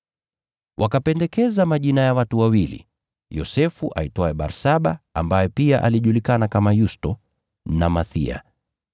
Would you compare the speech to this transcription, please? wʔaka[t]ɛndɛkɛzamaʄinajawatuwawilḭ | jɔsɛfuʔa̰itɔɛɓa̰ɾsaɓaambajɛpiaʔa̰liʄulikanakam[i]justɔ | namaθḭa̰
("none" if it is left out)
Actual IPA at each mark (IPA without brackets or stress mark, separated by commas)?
p, a